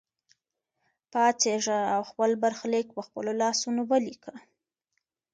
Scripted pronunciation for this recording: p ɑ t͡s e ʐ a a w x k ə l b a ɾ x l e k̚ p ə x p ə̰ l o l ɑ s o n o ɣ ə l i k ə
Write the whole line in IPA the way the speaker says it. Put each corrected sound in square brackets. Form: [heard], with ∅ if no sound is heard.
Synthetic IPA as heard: p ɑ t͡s e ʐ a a w x [p] ə l b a ɾ x l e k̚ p ə x p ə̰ l o l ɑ s [u] n o [w] ə l i k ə